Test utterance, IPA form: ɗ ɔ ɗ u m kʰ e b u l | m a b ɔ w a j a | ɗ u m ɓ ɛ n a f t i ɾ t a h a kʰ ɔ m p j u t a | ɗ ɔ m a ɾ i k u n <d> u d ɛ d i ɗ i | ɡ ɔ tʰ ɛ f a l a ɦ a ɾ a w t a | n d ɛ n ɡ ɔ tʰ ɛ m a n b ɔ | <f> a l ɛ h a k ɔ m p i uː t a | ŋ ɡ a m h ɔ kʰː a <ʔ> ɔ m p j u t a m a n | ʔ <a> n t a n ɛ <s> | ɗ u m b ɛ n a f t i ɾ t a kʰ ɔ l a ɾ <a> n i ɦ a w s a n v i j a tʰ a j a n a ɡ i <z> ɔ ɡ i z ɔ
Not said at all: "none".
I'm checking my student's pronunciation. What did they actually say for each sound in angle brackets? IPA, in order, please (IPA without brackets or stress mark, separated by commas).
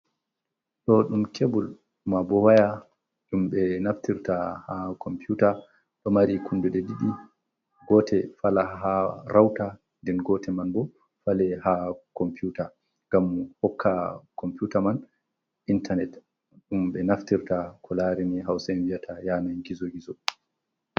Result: d, f, k, i, t, i, z